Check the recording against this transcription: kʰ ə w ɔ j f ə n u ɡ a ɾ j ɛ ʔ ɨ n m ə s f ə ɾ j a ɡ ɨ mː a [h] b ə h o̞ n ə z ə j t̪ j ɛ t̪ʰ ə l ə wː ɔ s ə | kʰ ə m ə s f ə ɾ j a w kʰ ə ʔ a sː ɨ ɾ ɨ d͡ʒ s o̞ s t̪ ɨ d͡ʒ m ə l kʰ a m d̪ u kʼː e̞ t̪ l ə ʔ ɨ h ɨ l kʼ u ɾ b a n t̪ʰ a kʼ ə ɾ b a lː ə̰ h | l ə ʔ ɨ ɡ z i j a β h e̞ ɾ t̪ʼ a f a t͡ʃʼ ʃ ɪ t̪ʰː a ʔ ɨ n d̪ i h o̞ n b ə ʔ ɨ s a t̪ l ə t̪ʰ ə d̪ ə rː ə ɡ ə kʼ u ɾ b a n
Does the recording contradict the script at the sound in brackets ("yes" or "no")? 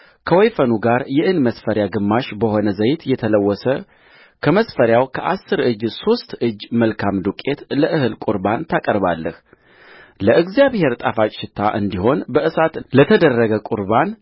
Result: yes